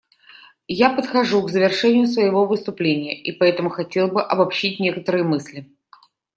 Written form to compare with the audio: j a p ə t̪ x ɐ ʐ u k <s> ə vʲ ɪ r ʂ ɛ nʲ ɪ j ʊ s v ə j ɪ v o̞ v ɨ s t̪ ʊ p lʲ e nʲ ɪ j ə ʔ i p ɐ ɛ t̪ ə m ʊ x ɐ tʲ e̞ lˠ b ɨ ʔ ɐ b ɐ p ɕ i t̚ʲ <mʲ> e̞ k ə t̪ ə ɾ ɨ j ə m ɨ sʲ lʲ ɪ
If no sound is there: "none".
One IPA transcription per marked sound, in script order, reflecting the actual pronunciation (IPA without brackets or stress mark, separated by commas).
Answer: z, nʲ